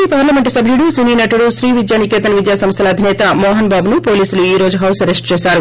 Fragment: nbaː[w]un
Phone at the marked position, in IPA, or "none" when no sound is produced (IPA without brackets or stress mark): b